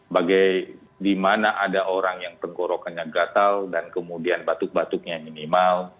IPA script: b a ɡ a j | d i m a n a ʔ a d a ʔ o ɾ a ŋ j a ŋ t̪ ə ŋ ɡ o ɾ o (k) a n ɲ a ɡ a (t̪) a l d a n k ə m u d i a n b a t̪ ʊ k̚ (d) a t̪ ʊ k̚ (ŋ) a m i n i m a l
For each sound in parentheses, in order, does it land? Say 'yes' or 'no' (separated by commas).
yes, yes, no, no